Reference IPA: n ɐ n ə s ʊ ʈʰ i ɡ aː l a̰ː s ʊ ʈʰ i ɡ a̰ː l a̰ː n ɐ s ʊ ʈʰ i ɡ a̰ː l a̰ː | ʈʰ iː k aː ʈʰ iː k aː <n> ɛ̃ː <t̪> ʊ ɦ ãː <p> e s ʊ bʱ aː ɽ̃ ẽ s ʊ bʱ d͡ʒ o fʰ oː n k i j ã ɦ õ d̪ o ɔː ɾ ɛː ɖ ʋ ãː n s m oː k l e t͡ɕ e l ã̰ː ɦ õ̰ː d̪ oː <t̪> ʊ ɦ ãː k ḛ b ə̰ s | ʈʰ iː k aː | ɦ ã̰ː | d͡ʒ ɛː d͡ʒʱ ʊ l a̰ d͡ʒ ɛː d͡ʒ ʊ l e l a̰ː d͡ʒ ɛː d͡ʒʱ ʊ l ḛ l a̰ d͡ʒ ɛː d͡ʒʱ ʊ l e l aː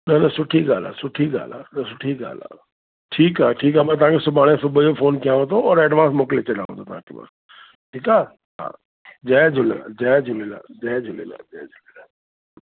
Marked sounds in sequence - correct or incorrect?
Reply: incorrect: m, correct, incorrect: k, correct

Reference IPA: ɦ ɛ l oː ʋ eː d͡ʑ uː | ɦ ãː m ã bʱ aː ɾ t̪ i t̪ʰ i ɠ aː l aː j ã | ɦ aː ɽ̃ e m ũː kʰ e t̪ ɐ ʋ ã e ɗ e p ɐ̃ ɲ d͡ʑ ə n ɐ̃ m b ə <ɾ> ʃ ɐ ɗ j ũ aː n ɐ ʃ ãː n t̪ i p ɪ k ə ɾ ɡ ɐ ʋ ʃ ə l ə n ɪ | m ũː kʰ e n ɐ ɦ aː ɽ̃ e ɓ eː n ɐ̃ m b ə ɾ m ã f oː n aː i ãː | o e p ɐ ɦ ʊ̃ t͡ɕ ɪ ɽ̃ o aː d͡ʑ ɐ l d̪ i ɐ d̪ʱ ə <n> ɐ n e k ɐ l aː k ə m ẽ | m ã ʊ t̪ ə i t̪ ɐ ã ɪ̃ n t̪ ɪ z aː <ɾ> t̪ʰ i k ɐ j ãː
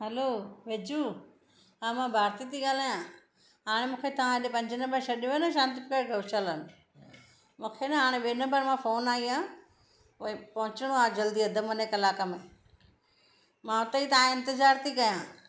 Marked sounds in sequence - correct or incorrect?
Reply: correct, incorrect: m, correct

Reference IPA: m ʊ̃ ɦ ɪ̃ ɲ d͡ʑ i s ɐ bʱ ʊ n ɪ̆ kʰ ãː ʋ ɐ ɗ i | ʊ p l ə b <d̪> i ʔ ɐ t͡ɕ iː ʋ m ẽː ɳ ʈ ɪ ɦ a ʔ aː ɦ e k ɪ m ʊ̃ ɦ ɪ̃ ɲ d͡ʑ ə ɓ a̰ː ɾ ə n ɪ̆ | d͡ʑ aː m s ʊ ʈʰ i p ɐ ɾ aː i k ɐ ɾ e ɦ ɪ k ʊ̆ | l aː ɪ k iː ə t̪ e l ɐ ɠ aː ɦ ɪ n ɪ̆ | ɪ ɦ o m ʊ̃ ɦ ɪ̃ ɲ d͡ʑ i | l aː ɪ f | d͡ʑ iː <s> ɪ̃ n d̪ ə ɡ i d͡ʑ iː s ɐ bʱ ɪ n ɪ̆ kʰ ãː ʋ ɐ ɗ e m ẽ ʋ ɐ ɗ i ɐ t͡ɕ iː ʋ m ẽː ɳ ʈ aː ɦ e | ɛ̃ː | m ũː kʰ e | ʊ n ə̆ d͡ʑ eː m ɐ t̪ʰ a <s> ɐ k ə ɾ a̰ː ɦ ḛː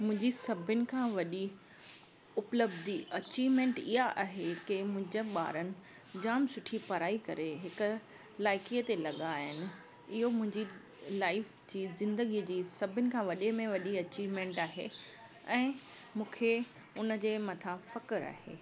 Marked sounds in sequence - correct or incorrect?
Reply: correct, incorrect: z, incorrect: f

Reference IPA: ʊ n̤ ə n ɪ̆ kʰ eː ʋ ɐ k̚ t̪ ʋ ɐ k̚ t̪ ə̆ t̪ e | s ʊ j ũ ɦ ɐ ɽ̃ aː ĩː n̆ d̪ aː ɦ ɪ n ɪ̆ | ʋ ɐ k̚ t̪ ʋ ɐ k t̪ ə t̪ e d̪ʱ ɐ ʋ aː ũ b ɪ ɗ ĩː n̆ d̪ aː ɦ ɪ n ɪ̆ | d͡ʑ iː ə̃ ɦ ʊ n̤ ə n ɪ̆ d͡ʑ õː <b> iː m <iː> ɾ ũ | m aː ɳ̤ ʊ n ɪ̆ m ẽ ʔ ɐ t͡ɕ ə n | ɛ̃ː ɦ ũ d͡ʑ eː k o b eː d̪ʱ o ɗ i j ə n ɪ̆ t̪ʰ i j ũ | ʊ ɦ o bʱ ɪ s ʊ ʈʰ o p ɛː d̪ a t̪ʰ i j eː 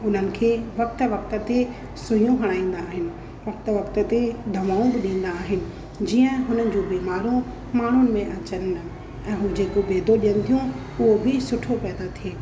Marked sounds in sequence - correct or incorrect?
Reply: correct, incorrect: aː

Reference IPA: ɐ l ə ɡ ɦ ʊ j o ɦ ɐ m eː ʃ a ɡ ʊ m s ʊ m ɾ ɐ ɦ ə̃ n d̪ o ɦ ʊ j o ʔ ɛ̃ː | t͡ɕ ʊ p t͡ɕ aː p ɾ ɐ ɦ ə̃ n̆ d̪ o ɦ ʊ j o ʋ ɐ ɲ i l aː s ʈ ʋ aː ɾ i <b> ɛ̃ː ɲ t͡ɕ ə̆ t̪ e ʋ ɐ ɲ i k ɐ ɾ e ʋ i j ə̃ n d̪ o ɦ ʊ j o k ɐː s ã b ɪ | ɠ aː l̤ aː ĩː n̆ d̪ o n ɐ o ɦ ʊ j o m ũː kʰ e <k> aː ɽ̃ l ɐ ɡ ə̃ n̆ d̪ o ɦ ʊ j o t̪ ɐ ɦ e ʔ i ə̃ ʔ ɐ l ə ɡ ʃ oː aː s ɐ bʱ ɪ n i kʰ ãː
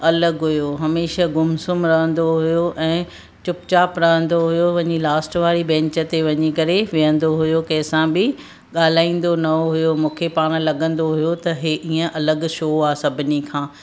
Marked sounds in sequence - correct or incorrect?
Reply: correct, incorrect: p

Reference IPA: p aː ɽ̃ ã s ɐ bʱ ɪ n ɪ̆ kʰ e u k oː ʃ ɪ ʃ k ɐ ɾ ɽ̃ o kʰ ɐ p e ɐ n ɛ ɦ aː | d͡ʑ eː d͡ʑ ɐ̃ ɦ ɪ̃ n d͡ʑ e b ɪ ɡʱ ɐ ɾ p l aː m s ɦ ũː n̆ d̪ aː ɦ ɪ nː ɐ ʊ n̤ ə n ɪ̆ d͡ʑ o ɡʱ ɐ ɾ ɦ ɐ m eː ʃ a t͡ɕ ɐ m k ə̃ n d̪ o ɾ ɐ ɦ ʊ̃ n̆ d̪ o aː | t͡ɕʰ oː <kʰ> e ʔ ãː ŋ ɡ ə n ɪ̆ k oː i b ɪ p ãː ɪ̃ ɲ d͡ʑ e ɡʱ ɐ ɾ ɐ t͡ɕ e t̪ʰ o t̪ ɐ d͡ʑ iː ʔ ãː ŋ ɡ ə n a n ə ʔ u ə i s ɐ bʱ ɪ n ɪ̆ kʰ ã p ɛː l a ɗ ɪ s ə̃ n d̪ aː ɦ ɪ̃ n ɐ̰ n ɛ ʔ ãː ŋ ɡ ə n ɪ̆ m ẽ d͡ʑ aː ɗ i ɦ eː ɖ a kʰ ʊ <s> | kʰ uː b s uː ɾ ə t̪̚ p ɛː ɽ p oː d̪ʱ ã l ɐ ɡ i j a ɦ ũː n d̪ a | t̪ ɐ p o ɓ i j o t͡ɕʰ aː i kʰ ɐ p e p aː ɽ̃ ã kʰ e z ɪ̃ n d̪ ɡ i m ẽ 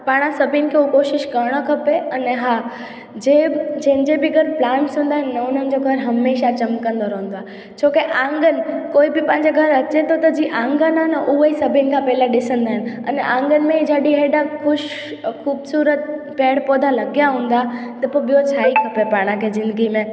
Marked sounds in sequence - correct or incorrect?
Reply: incorrect: k, incorrect: ʃ

